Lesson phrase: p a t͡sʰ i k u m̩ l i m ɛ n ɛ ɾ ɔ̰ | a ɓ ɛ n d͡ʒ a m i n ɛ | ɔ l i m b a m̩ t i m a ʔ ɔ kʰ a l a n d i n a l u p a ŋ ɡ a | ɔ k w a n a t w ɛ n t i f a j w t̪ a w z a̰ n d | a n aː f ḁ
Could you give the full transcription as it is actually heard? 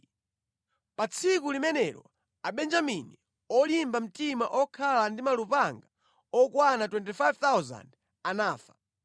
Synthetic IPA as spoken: p a t͡sʰ i k u l i m ɛ n ɛ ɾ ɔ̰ | a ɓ ɛ n d͡ʒ a m i n i | ɔ l i m b a m̩ t i m a ʔ ɔ kʰ a l a n d i m a l u p a ŋ ɡ a | ɔ k w a n a t w ɛ n t i f a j v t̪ a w z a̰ n d | a n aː f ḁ